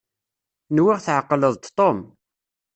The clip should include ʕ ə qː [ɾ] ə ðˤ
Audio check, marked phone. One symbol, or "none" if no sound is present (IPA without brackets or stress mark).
l